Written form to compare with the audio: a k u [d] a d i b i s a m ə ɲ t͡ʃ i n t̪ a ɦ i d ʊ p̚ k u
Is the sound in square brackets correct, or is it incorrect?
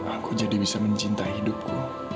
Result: incorrect